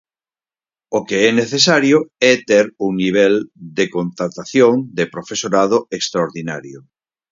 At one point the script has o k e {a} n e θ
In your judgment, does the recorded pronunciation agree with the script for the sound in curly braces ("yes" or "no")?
no